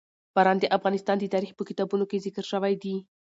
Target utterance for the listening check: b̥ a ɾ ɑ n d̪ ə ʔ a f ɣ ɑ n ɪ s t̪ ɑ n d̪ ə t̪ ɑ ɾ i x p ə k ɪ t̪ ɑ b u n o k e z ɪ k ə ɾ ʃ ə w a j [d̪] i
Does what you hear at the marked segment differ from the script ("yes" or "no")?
no